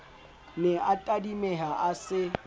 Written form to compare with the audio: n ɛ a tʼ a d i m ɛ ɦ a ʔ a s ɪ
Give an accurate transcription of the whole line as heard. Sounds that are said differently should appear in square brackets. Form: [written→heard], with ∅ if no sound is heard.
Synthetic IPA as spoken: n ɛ a tʼ a d i m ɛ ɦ a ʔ a s ɪ